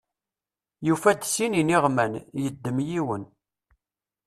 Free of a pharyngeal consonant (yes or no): yes